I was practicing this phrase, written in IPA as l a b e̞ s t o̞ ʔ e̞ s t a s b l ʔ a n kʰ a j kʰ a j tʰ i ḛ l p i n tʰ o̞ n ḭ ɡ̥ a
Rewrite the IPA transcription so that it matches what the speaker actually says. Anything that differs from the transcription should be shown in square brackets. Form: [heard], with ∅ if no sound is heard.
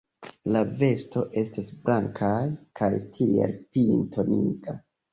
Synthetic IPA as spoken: l a [v] e̞ s t o̞ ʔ e̞ s t a s b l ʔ a [ŋ] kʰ a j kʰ a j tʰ i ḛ l p i n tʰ o̞ n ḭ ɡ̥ a